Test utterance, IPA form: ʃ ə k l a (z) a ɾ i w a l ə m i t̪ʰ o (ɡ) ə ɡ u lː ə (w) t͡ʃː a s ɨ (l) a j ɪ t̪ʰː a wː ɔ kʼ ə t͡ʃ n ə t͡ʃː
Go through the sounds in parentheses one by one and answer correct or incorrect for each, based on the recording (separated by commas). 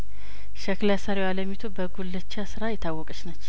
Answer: incorrect, incorrect, incorrect, incorrect